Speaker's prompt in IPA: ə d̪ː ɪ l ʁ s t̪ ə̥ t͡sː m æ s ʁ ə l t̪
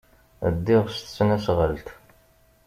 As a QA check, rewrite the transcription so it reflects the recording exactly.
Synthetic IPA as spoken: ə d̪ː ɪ ʁ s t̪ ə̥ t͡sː n æ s ʁ ə l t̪